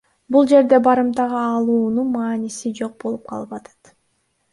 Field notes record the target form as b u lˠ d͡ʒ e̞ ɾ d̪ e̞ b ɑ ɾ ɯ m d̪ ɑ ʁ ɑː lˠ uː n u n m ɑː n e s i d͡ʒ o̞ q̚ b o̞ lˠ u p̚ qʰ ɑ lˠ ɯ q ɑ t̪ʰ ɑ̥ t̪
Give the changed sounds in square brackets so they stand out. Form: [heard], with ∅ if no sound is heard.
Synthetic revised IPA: b u lˠ d͡ʒ e̞ ɾ d̪ e̞ b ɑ ɾ ɯ m [t̪] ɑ ʁ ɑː lˠ uː n u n m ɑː n [i] s i d͡ʒ o̞ q̚ b o̞ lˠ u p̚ qʰ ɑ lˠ ɯ [p] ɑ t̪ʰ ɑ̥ t̪